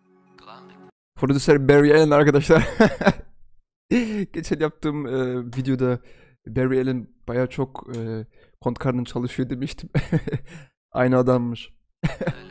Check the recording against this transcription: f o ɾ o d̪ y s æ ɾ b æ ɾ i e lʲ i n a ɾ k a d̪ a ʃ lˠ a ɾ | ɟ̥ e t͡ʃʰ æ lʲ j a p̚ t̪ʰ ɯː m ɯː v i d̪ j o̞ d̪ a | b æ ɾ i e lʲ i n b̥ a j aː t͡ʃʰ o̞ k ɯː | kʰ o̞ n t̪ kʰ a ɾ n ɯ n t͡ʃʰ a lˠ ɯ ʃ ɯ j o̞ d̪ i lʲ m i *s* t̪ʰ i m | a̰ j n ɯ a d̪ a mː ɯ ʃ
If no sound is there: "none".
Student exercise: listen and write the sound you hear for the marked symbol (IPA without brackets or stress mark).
ʃ